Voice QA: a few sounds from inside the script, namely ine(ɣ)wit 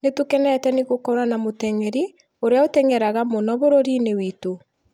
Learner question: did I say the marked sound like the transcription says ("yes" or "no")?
no